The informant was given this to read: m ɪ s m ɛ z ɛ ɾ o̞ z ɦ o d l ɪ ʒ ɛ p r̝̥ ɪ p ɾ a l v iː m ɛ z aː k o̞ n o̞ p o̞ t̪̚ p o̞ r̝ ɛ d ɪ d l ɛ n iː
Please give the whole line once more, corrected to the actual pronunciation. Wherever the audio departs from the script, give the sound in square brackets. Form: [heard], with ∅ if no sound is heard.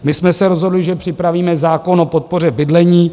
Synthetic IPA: m ɪ s m ɛ [s] ɛ ɾ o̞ z ɦ o d l ɪ ʒ ɛ p r̝̥ ɪ p ɾ a [∅] v iː m ɛ z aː k o̞ n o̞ p o̞ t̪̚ p o̞ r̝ ɛ [b] ɪ d l ɛ [ɲ] iː